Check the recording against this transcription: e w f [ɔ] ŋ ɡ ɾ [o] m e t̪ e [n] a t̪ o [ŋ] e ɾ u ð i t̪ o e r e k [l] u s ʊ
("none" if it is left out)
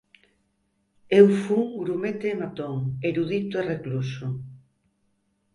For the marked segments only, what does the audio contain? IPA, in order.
u, u, m, ŋ, l

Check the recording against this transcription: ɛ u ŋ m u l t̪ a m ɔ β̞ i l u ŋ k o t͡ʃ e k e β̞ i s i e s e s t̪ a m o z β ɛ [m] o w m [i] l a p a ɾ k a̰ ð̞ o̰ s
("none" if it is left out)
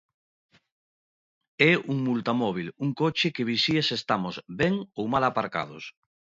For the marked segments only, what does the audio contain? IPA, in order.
ŋ, a

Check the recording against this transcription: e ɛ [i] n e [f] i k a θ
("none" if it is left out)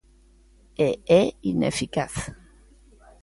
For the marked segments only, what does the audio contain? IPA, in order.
i, f

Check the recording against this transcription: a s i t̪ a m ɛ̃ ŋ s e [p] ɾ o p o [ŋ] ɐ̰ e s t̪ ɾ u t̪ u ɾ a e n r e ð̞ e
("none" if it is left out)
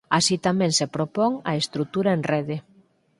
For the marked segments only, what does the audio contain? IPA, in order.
p, ŋ

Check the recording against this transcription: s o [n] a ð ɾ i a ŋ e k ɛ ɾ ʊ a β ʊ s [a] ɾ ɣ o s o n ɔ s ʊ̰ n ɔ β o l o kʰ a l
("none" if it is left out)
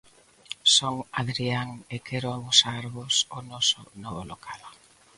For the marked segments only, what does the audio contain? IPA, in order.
ŋ, a

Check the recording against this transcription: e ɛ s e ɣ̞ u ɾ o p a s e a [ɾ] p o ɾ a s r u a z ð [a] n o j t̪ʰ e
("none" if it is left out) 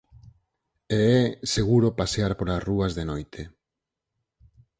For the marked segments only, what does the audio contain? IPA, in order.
ɾ, e

